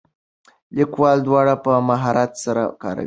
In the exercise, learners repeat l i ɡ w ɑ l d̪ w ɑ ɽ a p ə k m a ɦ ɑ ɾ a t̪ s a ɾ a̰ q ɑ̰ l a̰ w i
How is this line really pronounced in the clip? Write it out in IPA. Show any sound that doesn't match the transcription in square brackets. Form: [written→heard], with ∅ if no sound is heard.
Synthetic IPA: l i [ɡ→k] w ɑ l d̪ w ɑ ɽ a p ə [k→∅] m a ɦ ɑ ɾ a t̪ s a ɾ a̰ [q→k] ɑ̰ [l→ɾ] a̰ w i